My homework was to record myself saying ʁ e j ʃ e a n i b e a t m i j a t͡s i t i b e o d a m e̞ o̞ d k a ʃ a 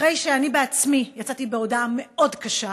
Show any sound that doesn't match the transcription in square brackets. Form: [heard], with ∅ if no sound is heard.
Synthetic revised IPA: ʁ e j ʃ e a n i b e a [t͡s] m i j a t͡s [a] t i b e o d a m e̞ o̞ d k a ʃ a

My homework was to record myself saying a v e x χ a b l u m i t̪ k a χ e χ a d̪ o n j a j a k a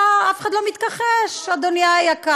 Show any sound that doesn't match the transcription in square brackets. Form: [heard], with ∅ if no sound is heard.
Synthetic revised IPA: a [f] e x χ a [d] l [o] m i t̪ k a χ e [ʃ] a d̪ o n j a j a k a

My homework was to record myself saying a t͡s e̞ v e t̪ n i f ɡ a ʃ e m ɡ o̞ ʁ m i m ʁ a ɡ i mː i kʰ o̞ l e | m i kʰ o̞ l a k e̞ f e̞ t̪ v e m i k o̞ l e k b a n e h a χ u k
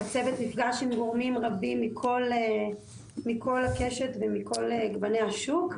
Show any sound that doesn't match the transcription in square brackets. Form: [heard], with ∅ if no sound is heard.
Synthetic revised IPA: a t͡s e̞ v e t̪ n i f ɡ a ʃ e m ɡ o̞ ʁ m i m ʁ a [b] i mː i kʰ o̞ l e | m i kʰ o̞ l a k e̞ [ʃ] e̞ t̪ v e m i k o̞ l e [ɡ] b a n e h a [ʃ] u k

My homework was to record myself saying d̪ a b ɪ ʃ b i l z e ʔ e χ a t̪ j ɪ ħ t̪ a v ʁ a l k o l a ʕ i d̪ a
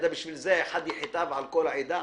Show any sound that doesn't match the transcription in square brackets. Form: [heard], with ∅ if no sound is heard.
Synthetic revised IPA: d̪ a b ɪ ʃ [v] i l z e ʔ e [ħ] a [d̪] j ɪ ħ t̪ a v [ʕ] a l k o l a ʕ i d̪ a

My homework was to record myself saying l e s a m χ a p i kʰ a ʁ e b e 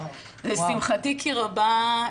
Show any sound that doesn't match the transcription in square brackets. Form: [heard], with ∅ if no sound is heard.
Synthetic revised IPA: l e s [i] m χ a [t] i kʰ [i] ʁ [a] b [a]

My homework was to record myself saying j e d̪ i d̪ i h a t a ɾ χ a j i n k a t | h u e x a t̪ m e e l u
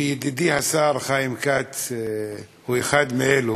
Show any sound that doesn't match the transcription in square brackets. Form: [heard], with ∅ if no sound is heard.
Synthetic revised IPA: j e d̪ i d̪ i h a [s] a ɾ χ a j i [m] k a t | h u e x a [d̪] m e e l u

